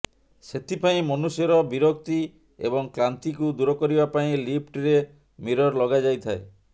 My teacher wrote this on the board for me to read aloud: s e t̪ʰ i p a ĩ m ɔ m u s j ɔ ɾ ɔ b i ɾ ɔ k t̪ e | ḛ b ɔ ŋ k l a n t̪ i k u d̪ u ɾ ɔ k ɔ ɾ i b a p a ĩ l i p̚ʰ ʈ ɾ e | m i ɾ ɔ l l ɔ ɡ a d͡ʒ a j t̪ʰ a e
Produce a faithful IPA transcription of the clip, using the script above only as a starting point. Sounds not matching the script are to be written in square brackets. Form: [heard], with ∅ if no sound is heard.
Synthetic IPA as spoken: s e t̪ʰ i p a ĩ m ɔ [n] u s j ɔ ɾ ɔ b i ɾ ɔ k t̪ [i] | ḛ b ɔ ŋ k l a n t̪ i k u d̪ u ɾ ɔ k ɔ ɾ i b a p a ĩ l i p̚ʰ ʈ ɾ e | m i ɾ ɔ [ɾ] l ɔ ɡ a d͡ʒ a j t̪ʰ a e